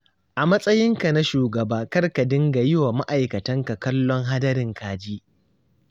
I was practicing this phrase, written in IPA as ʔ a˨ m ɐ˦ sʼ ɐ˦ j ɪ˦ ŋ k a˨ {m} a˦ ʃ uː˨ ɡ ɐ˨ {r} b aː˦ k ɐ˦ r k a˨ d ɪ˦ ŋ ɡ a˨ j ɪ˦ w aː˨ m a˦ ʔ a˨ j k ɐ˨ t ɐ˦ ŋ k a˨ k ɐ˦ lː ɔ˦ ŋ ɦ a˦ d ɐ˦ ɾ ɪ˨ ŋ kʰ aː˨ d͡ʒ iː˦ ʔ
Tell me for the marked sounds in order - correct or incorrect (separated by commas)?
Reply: incorrect, incorrect